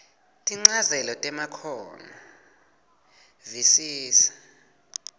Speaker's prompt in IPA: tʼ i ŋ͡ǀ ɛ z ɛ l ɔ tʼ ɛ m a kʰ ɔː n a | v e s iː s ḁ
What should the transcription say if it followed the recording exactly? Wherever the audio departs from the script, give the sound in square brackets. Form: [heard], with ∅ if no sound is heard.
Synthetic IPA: tʼ i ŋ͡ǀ [a] z ɛ l ɔ tʼ ɛ m a kʰ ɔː n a | v [i] s iː s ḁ